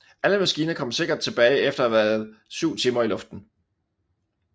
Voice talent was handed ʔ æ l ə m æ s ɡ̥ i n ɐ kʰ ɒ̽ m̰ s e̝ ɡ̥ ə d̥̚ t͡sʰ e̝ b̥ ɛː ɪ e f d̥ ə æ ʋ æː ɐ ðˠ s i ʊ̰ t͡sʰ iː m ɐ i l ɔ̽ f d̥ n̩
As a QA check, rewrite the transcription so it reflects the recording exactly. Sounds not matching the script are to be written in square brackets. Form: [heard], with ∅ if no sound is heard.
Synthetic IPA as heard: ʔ æ l ə m æ s ɡ̥ [iː] n ɐ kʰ ɒ̽ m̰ s e̝ ɡ̥ [ɐ] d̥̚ t͡sʰ e̝ b̥ ɛː ɪ e f d̥ [ɐ] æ ʋ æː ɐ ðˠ s [y] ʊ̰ t͡sʰ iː m ɐ i l ɔ̽ f d̥ n̩

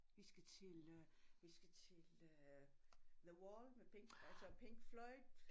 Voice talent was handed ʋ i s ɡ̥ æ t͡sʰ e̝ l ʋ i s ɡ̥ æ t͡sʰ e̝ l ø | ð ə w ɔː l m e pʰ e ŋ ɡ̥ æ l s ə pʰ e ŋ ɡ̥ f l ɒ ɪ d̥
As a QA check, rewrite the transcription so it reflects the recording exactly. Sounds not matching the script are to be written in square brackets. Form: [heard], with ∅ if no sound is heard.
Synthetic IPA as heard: ʋ i s ɡ̥ æ t͡sʰ e̝ l ʋ i s ɡ̥ æ t͡sʰ e̝ l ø | ð ə w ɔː l m e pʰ e ŋ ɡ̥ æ l s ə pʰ e ŋ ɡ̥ f l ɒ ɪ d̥

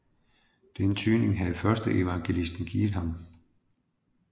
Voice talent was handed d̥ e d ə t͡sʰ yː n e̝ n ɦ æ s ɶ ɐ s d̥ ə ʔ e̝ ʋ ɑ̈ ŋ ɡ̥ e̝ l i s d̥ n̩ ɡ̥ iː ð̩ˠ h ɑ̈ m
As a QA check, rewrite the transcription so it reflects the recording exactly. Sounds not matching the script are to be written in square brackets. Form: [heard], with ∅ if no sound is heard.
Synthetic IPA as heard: d̥ e [n] ə t͡sʰ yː n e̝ [ŋ] ɦ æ [f] ɶ ɐ s d̥ ə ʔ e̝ ʋ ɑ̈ ŋ ɡ̥ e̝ l i s d̥ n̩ ɡ̥ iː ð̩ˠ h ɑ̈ m

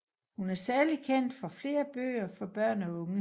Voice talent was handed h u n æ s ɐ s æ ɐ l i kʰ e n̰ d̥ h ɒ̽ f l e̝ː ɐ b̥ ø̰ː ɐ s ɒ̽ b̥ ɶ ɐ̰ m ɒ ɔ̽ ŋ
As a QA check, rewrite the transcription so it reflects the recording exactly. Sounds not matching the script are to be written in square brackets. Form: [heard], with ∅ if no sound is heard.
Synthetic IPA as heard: h u n æ [∅] ɐ s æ ɐ l i kʰ e n̰ d̥ [f] ɒ̽ f l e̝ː ɐ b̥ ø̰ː ɐ [f] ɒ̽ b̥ ɶ ɐ̰ [n] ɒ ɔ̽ ŋ

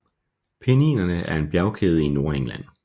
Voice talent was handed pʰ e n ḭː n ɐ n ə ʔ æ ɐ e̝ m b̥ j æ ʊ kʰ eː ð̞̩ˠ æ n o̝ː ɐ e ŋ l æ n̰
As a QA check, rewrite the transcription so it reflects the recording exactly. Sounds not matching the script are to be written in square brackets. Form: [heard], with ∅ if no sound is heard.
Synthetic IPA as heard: pʰ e n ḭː n ɐ n ə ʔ æ ɐ e̝ [n] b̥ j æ ʊ kʰ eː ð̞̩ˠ [i] n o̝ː ɐ e ŋ l æ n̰

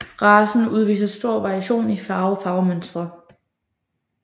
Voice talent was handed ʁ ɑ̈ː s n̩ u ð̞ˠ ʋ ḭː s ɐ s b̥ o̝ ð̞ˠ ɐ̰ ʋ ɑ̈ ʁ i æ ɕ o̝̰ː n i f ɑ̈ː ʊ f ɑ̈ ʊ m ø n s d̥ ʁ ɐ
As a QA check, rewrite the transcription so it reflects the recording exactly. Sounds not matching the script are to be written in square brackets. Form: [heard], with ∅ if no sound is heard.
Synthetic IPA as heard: ʁ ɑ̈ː s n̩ u ð̞ˠ ʋ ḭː s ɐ s [d̥] o̝ [∅] ɐ̰ ʋ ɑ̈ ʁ i æ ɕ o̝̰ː n i f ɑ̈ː ʊ f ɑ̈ ʊ m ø n s d̥ ʁ ɐ

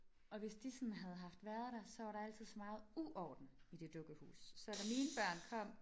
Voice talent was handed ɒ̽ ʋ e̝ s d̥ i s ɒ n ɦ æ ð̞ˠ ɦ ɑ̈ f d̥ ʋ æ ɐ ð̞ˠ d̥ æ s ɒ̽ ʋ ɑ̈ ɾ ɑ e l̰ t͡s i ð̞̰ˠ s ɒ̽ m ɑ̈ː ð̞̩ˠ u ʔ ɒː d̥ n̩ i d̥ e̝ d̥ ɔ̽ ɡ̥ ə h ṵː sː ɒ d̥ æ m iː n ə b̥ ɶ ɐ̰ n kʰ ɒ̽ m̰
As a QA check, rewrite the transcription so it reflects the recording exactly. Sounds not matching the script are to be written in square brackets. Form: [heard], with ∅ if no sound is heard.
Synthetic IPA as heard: ɒ̽ ʋ e̝ s d̥ i s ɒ n ɦ æ ð̞ˠ ɦ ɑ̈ f d̥ ʋ æ ɐ ð̞ˠ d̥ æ s ɒ̽ ʋ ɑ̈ ɾ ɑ [æ] l̰ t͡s i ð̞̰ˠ s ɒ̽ m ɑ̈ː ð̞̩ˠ u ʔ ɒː d̥ n̩ i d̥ e̝ d̥ ɔ̽ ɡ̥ ə h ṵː sː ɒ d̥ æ m iː n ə b̥ ɶ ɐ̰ n kʰ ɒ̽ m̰

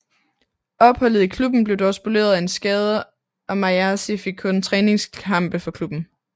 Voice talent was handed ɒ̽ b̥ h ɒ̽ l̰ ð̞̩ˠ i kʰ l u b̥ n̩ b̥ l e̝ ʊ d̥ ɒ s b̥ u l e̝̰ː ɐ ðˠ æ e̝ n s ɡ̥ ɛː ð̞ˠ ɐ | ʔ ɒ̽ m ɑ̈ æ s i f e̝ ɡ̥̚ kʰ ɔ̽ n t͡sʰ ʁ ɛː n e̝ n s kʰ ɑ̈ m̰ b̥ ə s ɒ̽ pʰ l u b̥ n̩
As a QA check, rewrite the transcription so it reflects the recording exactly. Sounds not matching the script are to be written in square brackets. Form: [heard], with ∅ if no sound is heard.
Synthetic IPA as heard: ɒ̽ b̥ h ɒ̽ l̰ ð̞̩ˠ i kʰ l u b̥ n̩ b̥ l e̝ ʊ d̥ ɒ s b̥ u l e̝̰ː ɐ ðˠ æ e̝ n s ɡ̥ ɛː ð̞ˠ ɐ | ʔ ɒ̽ m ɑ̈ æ s i f e̝ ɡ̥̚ kʰ ɔ̽ n t͡sʰ ʁ ɛː n e̝ [ŋ] s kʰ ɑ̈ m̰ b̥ ə [f] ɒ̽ [kʰ] l u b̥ n̩

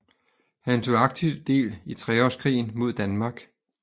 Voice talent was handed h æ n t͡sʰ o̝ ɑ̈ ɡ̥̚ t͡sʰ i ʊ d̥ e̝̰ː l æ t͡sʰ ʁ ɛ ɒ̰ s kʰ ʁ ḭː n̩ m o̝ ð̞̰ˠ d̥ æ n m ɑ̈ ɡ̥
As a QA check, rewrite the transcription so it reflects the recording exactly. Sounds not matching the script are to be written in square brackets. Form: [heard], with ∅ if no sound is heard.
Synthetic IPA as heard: h æ n t͡sʰ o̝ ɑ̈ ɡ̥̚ t͡sʰ i ʊ d̥ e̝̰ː l [i] t͡sʰ ʁ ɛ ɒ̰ s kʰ ʁ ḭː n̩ m o̝ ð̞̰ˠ d̥ æ n m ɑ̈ ɡ̥

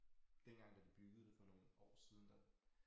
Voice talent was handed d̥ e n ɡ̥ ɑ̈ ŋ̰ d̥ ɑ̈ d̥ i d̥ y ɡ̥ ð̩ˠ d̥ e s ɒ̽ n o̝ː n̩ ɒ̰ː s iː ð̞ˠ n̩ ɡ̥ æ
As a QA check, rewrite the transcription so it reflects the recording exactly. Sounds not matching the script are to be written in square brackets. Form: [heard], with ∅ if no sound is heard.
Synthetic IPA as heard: d̥ e n ɡ̥ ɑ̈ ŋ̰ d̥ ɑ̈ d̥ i [b̥] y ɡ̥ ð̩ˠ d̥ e [f] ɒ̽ n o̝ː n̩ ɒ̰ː s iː ð̞ˠ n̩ [d̥] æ

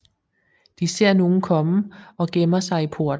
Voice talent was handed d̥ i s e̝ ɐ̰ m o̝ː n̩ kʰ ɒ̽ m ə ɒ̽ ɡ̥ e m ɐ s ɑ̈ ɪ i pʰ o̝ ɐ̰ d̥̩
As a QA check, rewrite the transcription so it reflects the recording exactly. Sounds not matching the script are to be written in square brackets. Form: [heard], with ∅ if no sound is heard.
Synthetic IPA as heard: d̥ i s e̝ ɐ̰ [n] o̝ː n̩ kʰ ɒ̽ m ə ɒ̽ ɡ̥ e m ɐ s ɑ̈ ɪ i pʰ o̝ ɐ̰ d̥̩

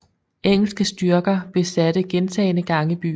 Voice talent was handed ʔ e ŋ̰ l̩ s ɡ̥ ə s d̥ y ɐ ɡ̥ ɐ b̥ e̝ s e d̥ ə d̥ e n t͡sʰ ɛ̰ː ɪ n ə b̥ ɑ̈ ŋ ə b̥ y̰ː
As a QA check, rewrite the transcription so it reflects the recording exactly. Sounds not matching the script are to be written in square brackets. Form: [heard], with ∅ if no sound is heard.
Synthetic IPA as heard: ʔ e ŋ̰ l̩ s ɡ̥ ə s d̥ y ɐ ɡ̥ ɐ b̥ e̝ s [æ] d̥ ə [ɡ̥] e n t͡sʰ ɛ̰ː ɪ n ə [ɡ̥] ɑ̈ ŋ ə b̥ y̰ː

